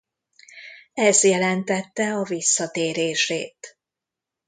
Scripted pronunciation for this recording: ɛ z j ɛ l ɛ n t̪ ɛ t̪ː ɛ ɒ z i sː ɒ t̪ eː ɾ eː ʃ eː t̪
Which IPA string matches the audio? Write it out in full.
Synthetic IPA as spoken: ɛ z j ɛ l ɛ n t̪ ɛ t̪ː ɛ ɒ v i sː ɒ t̪ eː ɾ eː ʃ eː t̪

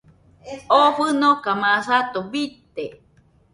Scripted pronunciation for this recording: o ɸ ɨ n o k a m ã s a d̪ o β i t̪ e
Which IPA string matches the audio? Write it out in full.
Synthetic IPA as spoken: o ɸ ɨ n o k a m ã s a t̪ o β i t̪ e

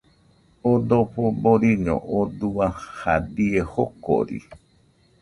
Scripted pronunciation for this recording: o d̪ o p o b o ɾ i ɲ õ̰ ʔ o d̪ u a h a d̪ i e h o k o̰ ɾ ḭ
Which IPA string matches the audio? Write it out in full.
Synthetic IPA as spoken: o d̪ o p o b o ɾ i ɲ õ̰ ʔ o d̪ u a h a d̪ i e h o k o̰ ɾ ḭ

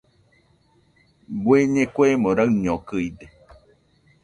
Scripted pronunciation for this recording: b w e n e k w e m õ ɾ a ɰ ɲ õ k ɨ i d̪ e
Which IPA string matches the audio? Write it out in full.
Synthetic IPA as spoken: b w e ɲ e k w e m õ ɾ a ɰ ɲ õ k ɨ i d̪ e

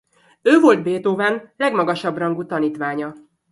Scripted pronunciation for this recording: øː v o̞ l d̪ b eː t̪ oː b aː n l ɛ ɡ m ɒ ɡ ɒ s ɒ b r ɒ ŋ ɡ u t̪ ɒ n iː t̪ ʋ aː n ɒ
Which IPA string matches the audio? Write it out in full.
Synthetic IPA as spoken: øː v o̞ l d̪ b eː t̪ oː v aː n l ɛ ɡ m ɒ ɡ ɒ ʃ ɒ b r ɒ ŋ ɡ u t̪ ɒ n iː t̪ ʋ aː ɲ ɒ

